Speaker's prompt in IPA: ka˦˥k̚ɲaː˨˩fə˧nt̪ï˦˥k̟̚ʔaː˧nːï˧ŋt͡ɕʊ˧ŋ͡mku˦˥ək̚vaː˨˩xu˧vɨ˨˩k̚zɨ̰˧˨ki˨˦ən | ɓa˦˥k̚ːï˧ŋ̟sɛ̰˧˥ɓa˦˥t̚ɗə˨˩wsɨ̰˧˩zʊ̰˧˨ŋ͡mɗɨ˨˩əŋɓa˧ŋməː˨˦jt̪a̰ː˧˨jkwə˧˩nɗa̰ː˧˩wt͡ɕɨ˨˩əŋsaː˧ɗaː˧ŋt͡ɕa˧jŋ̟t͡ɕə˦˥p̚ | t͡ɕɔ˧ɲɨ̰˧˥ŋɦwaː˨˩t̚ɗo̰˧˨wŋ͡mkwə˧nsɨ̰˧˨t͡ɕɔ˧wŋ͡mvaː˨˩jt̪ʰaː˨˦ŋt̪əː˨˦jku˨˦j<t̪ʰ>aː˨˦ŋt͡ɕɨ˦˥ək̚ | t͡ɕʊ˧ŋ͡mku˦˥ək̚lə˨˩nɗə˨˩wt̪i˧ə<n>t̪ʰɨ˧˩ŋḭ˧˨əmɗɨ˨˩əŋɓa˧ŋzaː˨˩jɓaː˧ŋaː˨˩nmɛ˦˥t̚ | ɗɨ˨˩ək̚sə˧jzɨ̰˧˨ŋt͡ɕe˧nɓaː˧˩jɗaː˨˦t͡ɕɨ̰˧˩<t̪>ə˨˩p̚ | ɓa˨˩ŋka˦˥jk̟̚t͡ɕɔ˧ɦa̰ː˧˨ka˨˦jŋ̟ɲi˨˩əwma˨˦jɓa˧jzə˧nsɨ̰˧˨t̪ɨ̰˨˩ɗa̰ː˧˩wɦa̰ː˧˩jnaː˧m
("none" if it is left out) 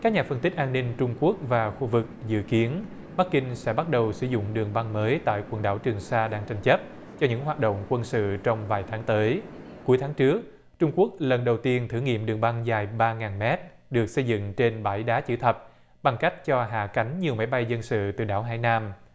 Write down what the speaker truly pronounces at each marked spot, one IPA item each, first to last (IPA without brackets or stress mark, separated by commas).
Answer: t̪ʰ, n, t̪ʰ